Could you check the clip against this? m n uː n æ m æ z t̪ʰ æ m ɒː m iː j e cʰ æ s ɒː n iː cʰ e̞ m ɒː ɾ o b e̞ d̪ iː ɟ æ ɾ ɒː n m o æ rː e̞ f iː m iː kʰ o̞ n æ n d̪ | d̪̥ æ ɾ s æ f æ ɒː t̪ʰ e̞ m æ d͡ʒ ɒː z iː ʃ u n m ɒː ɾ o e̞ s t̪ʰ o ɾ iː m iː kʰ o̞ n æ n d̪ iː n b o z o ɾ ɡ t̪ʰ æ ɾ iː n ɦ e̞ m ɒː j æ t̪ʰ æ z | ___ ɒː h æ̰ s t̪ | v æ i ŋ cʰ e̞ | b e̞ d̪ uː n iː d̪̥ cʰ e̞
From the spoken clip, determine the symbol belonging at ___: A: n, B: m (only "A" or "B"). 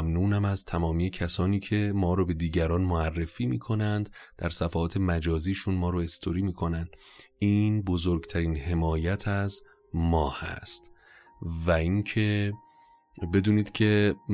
B